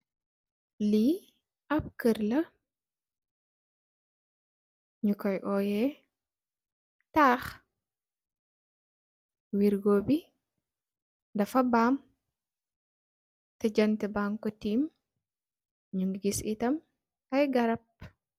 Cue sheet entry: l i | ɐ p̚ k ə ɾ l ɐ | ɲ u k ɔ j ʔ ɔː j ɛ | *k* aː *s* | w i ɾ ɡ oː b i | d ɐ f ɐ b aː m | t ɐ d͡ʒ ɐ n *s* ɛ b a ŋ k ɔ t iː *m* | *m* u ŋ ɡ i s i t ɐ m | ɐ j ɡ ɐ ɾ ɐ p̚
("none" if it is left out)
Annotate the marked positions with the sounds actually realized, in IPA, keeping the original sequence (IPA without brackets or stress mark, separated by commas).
t, x, t, m, ɲ